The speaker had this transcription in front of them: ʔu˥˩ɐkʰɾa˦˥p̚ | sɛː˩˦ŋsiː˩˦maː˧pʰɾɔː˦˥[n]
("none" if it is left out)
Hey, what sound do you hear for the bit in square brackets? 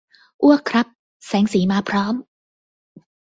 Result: m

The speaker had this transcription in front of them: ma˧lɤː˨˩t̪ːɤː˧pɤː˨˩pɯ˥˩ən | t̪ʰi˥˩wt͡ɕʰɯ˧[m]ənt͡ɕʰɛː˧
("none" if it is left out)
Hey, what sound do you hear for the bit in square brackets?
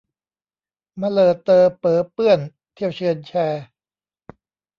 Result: none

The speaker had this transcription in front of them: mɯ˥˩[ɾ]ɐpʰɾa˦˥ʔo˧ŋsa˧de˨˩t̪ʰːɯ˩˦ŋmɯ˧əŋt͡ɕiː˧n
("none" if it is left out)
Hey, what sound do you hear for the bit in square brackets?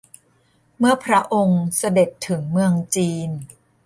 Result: none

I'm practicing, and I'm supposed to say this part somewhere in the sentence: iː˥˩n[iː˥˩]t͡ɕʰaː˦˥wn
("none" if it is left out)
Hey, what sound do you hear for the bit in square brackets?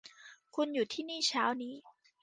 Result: iː˥˩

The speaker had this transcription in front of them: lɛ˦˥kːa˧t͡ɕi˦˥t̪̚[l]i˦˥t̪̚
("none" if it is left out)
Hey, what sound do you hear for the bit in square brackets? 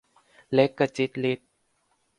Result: l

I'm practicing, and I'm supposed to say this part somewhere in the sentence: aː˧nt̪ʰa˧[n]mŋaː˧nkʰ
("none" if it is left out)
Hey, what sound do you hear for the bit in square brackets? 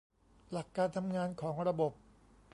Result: none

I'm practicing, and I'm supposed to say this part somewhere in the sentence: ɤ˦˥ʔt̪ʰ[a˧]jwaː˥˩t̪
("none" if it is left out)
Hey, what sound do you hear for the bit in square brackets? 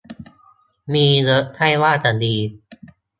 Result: a˥˩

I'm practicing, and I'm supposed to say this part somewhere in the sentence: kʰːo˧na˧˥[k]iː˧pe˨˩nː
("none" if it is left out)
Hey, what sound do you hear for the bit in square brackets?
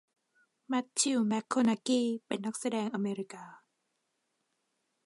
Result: k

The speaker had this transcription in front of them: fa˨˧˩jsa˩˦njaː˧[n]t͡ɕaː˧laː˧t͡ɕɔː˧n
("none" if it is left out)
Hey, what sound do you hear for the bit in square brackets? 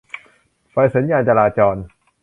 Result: n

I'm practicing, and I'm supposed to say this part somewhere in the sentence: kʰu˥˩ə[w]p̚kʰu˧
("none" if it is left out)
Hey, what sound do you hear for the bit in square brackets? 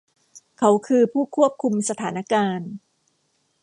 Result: none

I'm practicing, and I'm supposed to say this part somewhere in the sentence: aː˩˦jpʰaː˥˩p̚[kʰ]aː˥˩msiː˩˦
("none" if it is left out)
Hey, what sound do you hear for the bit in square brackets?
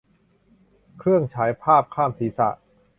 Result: kʰ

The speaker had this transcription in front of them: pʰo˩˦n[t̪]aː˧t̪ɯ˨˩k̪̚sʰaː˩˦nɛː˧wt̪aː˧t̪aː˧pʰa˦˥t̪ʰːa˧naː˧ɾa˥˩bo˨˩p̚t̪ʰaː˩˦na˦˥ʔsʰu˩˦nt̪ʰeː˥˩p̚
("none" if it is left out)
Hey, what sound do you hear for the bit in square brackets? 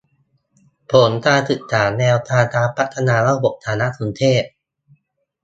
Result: t̪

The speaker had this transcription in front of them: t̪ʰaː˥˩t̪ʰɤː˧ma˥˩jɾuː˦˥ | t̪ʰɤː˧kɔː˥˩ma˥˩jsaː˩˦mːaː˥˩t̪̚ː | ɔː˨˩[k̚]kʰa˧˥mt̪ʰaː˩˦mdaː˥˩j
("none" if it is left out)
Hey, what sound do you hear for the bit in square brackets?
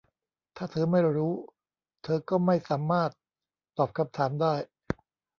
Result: p̚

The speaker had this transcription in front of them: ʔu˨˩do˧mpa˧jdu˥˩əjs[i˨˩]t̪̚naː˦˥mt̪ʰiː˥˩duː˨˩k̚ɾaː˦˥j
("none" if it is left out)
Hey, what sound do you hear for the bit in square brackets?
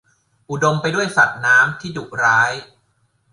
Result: a˨˩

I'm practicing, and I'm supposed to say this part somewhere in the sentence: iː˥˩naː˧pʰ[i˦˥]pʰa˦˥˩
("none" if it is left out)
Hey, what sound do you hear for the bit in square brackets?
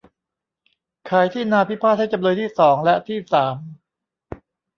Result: i˦˥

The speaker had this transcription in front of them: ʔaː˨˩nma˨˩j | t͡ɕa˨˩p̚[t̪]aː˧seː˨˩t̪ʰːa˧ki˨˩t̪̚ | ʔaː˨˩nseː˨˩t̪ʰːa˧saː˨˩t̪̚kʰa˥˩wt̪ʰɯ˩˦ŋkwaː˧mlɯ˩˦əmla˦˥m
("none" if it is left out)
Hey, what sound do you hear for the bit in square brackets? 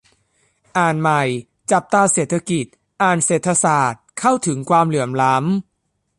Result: t̪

